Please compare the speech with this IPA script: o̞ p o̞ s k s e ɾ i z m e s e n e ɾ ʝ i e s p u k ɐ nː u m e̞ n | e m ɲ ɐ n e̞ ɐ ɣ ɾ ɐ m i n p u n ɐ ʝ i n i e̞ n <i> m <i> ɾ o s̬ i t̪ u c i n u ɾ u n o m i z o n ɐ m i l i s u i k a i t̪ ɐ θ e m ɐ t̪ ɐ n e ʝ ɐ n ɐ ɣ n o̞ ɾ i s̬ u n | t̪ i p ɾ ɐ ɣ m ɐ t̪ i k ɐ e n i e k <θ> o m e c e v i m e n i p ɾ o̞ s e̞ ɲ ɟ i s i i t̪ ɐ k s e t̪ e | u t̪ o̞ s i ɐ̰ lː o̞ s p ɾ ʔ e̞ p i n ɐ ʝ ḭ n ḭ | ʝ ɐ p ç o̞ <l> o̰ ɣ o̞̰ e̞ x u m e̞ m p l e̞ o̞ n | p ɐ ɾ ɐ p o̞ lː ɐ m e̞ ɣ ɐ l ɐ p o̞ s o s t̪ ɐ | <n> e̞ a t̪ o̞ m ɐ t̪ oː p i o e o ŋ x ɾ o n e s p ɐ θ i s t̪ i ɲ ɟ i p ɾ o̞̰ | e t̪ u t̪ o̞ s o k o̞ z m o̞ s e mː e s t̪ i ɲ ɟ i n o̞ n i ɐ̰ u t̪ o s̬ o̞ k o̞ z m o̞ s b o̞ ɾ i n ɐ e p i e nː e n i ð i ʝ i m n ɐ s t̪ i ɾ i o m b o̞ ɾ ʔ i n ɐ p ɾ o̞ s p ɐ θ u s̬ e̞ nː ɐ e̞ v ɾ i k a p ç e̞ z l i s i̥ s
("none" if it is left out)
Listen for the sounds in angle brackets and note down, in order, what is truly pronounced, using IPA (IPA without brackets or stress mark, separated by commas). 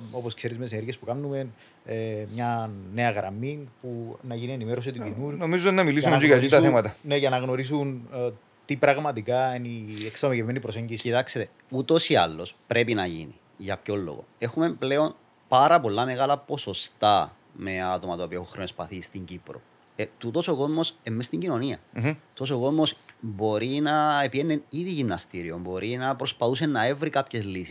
i, e, s, lː, m